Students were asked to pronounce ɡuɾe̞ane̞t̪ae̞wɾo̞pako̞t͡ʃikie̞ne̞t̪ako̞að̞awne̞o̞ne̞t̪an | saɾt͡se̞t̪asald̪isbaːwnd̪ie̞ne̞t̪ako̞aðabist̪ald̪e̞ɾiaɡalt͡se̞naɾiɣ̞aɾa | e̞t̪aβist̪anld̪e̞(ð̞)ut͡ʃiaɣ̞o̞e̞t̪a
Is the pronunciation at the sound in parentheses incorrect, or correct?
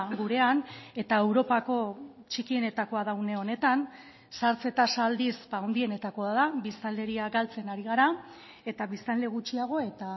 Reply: incorrect